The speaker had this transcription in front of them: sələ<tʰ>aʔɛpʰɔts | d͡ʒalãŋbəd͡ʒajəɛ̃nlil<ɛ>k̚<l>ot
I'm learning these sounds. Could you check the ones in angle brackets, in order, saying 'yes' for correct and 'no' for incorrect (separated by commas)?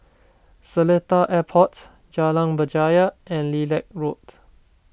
no, yes, no